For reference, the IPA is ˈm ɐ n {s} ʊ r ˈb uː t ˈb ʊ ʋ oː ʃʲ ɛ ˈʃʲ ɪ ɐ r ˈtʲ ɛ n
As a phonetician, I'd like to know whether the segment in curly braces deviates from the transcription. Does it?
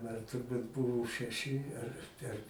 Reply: yes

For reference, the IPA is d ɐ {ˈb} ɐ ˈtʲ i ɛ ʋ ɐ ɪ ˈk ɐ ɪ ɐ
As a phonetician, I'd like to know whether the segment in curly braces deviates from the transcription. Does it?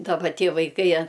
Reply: no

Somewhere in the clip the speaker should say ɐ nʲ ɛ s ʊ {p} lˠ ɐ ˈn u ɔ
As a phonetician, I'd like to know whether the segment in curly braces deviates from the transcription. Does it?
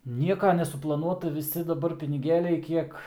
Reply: no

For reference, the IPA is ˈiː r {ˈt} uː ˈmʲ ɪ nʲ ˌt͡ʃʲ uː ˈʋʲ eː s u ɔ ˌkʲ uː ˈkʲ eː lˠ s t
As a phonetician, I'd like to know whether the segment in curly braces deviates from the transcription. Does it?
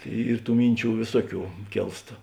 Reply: no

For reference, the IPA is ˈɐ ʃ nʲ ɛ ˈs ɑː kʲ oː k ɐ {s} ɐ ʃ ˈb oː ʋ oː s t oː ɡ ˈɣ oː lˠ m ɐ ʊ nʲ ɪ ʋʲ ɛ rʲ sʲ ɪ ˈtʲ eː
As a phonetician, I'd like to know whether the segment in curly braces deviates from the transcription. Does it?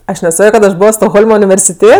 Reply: yes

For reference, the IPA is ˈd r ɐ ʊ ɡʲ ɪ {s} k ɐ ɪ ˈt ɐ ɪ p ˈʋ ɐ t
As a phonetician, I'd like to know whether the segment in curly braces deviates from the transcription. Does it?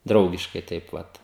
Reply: yes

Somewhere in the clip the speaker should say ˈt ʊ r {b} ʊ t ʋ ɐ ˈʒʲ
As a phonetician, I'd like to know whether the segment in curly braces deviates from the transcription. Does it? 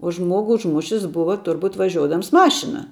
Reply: no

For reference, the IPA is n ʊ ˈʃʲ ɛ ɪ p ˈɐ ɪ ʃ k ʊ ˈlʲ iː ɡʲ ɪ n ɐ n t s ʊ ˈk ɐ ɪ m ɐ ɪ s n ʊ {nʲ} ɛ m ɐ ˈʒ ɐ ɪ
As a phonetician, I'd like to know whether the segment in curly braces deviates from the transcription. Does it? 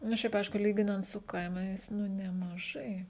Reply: no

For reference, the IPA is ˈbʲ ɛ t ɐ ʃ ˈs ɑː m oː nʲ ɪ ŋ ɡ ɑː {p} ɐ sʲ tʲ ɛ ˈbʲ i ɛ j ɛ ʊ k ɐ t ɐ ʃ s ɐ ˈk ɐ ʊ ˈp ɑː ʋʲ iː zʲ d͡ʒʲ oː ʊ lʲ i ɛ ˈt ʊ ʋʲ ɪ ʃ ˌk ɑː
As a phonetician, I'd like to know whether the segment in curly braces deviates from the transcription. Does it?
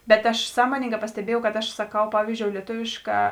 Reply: no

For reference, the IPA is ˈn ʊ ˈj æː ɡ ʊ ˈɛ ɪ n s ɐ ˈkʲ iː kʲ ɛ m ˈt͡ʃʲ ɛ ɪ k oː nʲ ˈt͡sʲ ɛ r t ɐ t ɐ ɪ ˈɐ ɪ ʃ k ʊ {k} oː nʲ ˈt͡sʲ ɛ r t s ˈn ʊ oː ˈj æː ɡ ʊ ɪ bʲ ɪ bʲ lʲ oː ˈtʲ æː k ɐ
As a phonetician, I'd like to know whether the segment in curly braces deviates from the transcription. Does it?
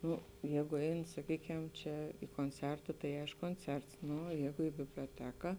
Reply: no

